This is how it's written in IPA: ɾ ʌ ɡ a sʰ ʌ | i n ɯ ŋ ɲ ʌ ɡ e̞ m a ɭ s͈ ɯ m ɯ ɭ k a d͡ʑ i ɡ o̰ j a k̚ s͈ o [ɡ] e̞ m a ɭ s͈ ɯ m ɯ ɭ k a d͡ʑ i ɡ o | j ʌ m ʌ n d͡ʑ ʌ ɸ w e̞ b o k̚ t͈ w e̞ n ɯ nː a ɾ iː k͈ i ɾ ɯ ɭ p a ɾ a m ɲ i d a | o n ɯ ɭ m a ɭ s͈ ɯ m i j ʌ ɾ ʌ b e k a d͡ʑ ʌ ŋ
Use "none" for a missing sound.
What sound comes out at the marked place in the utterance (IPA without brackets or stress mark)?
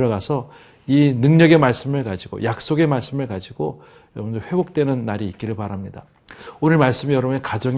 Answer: ɡ